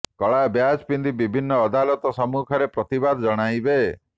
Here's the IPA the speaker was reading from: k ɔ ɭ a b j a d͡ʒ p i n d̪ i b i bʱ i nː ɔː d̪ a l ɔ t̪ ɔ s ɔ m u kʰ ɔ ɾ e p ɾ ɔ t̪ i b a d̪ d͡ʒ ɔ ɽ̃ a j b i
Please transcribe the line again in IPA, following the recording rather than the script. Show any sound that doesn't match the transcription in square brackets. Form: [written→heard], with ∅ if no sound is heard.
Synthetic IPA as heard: k ɔ ɭ a b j a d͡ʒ p i n d̪ i b i bʱ i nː ɔː d̪ a l ɔ t̪ ɔ s ɔ m u kʰ ɔ ɾ e p ɾ ɔ t̪ i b a d̪ d͡ʒ ɔ ɽ̃ a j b [i→e]